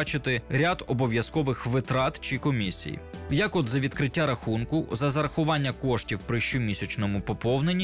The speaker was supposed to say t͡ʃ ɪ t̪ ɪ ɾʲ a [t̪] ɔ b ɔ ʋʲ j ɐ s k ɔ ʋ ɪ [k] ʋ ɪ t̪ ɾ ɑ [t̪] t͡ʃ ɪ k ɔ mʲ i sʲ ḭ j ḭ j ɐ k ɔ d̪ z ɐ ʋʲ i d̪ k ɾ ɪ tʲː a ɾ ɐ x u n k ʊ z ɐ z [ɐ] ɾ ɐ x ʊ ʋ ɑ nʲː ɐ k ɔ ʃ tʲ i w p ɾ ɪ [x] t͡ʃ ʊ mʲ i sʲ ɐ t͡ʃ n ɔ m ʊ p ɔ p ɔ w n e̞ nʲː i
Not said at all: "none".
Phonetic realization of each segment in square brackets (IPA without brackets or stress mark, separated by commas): d̪, x, t̪, ɐ, ʃ